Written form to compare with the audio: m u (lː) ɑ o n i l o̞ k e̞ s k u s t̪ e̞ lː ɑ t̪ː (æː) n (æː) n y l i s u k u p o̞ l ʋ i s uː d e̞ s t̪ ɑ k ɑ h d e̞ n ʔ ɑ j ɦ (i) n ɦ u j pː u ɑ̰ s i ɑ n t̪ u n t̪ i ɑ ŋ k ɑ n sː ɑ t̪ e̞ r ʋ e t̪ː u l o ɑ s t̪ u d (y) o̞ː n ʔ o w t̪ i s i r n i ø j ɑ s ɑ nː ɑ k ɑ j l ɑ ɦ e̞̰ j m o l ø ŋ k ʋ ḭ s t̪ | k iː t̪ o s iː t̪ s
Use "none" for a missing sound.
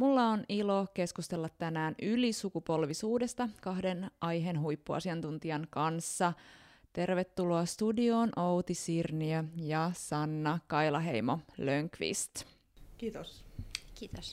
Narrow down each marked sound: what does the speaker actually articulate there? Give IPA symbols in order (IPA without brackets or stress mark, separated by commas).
lː, æ, æː, e, i